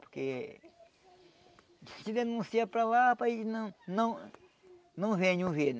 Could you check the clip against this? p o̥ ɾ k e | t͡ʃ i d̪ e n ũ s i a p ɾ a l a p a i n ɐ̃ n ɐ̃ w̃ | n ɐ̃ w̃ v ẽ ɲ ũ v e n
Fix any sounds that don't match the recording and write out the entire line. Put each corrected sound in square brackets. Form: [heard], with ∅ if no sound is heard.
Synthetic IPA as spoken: p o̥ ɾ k e | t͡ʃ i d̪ e n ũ s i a p ɾ a l a p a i n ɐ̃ n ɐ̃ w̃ | n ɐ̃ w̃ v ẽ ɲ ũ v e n